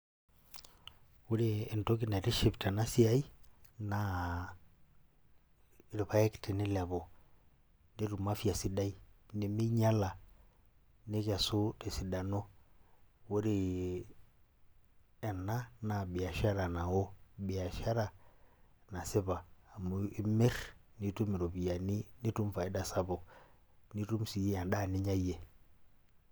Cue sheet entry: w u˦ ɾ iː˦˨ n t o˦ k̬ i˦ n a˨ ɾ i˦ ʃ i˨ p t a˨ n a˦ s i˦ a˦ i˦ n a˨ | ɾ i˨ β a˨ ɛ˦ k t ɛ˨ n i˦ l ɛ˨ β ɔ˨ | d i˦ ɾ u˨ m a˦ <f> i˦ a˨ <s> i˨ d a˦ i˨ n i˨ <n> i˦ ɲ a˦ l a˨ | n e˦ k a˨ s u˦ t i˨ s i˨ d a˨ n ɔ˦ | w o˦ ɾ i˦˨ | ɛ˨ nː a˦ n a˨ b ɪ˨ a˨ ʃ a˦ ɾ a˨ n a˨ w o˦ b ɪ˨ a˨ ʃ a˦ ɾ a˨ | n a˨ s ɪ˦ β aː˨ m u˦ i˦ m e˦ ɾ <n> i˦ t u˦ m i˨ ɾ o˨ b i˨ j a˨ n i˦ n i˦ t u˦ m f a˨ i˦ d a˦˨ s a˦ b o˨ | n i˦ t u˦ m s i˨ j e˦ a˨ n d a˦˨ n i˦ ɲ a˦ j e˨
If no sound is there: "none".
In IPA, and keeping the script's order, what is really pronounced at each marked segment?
f, s, m, n

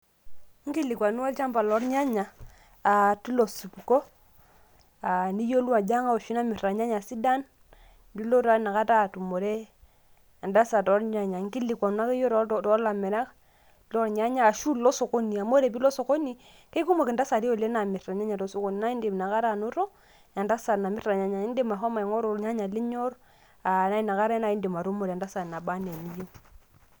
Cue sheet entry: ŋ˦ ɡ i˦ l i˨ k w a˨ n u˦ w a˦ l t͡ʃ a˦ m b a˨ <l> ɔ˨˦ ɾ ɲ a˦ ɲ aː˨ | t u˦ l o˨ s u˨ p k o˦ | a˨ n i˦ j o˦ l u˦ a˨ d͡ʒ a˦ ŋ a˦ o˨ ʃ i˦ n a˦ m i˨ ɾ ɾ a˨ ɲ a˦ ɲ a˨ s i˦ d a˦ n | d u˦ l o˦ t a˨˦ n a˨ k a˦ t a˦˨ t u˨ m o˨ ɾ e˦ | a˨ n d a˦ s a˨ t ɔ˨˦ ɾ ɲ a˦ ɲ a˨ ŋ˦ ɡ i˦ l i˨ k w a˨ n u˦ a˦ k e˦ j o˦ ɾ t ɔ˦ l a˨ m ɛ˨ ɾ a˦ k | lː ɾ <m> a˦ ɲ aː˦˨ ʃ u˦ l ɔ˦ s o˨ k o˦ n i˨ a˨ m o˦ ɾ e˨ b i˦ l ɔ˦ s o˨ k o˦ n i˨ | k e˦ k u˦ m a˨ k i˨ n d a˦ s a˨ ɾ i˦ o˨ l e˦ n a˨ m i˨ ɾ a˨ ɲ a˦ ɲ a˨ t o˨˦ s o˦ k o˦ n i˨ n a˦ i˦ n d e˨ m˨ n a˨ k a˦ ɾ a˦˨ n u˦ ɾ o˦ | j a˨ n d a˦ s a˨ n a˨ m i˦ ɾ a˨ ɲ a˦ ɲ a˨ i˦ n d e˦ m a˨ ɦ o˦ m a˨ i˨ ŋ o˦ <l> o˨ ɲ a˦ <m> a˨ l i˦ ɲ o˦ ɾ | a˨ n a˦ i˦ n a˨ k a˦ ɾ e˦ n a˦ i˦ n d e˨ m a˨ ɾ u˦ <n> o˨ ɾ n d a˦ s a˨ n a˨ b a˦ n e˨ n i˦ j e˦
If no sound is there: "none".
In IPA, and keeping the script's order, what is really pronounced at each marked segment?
l, ɲ, ɾ, ɲ, m

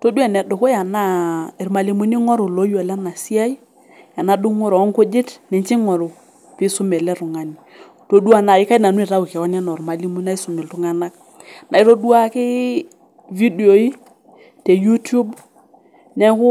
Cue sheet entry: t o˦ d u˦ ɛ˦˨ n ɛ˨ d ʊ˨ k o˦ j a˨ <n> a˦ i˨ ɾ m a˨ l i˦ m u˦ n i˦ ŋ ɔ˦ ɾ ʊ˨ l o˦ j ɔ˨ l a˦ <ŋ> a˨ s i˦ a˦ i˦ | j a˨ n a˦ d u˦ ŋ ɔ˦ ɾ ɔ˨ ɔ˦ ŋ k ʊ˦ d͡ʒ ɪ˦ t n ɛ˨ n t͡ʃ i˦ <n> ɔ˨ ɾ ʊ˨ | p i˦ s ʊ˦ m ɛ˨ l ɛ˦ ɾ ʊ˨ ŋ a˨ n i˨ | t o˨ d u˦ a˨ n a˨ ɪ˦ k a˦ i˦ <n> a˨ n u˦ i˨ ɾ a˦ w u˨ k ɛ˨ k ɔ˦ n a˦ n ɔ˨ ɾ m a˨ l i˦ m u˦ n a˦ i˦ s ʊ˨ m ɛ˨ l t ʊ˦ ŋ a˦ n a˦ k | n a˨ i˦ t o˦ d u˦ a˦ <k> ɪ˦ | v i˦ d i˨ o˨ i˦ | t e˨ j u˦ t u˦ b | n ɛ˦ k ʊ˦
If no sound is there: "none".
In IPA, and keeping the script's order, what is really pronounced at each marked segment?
n, n, ŋ, n, k

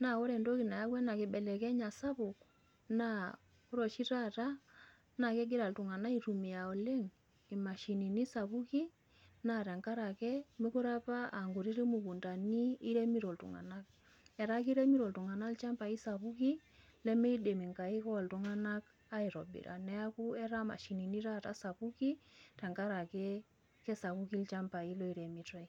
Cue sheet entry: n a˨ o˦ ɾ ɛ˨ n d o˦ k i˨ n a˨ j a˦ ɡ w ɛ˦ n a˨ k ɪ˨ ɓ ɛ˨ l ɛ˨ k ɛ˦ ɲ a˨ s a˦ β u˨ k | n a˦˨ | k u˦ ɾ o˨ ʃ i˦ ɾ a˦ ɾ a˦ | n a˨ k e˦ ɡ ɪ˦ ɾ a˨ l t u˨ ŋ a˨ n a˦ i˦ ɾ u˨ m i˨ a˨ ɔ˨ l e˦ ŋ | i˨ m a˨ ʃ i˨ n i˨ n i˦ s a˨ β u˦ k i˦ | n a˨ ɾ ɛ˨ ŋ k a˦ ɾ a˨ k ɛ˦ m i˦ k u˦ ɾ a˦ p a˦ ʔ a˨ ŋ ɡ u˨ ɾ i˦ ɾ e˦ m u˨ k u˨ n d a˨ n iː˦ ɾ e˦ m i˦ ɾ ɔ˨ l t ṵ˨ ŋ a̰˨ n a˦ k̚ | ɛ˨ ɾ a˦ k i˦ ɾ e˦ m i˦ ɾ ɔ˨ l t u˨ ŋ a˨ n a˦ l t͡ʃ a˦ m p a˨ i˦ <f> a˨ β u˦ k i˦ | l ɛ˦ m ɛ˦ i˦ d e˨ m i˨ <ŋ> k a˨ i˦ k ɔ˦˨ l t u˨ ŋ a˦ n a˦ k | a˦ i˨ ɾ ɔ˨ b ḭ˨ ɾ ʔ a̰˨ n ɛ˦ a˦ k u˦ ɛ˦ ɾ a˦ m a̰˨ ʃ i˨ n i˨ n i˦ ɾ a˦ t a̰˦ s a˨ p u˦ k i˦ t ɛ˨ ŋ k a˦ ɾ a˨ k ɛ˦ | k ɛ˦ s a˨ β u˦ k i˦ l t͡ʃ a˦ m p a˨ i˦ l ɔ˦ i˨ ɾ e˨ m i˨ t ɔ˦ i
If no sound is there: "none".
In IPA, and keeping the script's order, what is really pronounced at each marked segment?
s, ŋ

